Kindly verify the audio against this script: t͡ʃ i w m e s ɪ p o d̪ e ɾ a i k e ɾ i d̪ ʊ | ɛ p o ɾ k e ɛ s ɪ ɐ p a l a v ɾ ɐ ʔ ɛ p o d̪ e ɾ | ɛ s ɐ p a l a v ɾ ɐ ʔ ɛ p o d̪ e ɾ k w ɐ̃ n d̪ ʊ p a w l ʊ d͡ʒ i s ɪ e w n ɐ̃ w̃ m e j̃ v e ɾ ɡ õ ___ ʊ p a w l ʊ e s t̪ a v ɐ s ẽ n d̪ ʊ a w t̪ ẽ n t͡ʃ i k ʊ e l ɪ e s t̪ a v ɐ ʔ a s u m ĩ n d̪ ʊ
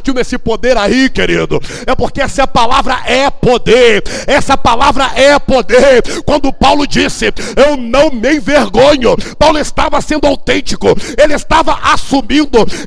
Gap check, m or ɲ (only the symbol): ɲ